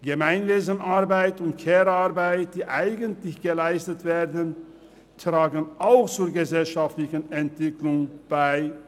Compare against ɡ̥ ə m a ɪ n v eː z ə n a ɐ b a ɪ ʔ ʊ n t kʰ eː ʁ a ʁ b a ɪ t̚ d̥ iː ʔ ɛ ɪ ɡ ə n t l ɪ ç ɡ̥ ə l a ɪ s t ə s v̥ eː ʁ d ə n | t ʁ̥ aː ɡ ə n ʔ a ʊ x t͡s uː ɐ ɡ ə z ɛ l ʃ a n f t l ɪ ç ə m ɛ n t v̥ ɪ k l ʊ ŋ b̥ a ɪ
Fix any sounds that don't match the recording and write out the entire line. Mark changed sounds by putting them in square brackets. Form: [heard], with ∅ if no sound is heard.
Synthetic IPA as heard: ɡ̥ ə m a ɪ n v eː z ə n a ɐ b a ɪ [t] ʊ n t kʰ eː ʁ a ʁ b a ɪ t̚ d̥ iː ʔ [a] ɪ ɡ ə n t l ɪ ç ɡ̥ ə l a ɪ s t ə [t] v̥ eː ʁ d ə n | t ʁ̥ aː ɡ ə n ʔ a ʊ x t͡s uː ɐ ɡ ə z ɛ l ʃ a [∅] f t l ɪ ç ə [n] ɛ n t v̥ ɪ k l ʊ ŋ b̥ a ɪ